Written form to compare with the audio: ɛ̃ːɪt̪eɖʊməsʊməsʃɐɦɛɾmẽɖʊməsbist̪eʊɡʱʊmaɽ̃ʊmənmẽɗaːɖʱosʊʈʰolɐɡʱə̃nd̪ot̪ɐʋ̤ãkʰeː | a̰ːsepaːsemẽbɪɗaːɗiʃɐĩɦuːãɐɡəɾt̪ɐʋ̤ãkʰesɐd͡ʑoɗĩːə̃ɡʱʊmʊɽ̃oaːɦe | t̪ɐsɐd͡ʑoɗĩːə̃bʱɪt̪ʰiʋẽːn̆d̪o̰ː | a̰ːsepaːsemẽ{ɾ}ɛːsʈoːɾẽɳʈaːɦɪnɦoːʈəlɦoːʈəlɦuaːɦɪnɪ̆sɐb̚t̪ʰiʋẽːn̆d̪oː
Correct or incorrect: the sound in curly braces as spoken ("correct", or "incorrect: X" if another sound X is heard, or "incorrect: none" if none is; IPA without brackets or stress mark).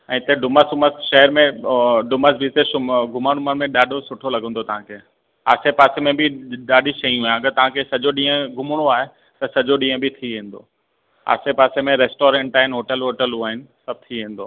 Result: correct